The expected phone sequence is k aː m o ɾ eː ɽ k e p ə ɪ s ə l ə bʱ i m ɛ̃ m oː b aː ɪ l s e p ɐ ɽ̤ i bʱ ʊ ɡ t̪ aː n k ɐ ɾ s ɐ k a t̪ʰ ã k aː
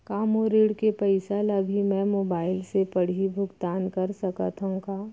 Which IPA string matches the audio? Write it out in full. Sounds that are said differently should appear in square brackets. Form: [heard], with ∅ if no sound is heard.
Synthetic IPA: k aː m o ɾ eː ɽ k e p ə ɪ s [a] l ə bʱ i m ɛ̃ m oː b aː ɪ l s e p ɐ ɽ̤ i bʱ ʊ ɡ t̪ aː n k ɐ ɾ s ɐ k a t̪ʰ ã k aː